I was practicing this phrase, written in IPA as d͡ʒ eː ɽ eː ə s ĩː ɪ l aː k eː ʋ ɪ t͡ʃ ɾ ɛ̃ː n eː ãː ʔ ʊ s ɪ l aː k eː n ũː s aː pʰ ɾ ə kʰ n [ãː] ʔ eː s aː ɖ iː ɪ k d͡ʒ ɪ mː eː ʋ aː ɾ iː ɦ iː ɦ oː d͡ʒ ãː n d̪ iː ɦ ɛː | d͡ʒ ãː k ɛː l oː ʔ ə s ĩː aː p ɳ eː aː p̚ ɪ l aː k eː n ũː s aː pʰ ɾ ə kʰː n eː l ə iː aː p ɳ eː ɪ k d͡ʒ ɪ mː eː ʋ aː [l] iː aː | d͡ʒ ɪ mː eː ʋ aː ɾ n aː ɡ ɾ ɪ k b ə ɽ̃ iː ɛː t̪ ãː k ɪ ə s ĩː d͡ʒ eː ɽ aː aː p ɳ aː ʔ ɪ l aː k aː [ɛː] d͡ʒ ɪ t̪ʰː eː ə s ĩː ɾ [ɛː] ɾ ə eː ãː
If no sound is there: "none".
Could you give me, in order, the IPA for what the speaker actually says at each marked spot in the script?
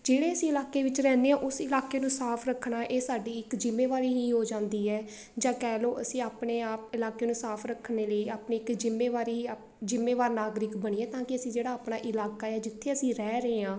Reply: aː, ɾ, ɛː, ɛː

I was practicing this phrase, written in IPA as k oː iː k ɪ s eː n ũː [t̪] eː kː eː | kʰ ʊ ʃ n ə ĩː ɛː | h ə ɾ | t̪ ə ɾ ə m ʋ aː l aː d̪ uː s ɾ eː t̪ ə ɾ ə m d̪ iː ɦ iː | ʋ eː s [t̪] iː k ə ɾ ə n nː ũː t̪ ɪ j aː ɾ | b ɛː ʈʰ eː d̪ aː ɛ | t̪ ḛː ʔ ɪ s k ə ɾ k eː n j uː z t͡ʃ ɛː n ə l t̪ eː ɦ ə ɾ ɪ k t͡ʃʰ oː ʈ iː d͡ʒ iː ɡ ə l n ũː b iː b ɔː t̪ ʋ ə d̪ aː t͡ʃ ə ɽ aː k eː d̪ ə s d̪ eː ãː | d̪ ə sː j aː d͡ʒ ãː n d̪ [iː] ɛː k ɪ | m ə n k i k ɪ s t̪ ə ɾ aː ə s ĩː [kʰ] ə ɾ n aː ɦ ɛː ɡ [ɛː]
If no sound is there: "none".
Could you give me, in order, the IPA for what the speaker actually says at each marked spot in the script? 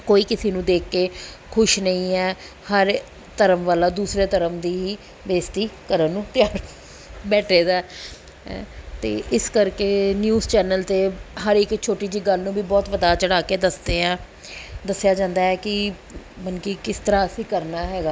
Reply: d̪, t̪, aː, k, aː

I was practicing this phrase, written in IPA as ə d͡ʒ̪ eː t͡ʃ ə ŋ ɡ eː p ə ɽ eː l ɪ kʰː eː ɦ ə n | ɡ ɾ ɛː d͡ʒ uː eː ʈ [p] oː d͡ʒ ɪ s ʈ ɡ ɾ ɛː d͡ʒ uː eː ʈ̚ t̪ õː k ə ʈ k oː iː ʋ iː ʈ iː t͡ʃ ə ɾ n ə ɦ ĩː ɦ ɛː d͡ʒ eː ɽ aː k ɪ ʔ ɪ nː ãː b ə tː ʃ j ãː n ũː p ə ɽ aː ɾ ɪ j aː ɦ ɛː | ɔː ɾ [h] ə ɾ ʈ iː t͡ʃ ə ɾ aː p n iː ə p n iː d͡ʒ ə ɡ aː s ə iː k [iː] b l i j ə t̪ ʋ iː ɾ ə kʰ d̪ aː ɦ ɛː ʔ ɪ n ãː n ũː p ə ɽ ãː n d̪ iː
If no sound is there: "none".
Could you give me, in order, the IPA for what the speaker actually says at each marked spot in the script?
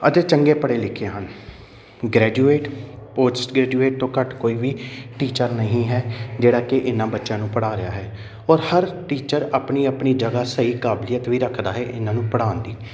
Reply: p, h, aː

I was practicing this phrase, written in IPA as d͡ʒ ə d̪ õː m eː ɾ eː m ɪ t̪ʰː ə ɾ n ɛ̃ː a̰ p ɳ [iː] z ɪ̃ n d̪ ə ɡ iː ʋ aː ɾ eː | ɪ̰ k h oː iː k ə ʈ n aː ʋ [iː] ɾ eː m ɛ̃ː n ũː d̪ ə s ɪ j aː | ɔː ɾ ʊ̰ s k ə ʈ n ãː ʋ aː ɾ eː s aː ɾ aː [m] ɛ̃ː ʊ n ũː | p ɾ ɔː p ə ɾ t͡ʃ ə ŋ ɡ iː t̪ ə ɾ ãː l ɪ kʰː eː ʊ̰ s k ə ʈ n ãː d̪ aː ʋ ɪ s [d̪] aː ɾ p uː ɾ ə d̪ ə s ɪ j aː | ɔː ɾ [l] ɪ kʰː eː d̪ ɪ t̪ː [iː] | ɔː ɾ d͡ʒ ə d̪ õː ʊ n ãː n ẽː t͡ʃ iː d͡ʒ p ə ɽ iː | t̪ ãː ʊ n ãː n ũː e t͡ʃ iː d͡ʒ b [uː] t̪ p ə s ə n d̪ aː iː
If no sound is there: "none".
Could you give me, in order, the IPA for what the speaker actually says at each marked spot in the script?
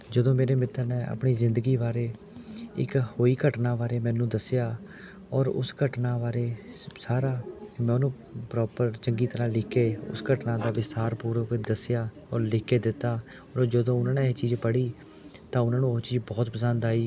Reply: iː, aː, m, t̪, l, aː, ɔː

